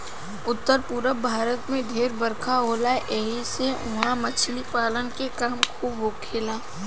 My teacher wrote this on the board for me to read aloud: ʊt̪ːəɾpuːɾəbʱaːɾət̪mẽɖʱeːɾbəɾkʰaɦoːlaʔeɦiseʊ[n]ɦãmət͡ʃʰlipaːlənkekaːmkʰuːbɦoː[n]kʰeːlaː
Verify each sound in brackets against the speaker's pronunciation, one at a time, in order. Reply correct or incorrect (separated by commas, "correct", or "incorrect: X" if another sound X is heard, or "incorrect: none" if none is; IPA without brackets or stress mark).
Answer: incorrect: none, incorrect: none